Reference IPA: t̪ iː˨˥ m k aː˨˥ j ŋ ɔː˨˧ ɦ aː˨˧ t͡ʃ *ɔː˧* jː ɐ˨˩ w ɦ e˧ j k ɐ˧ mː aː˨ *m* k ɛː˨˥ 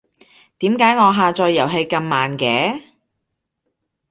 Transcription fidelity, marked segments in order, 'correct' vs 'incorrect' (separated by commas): correct, incorrect